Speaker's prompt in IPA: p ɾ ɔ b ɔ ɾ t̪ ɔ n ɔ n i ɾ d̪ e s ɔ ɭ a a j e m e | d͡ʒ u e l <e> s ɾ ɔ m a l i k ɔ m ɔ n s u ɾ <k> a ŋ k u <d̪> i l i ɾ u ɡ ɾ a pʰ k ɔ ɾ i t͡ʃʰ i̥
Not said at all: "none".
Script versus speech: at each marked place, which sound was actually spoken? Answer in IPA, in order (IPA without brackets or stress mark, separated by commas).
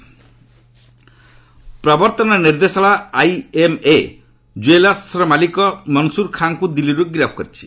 a, kʰ, d̪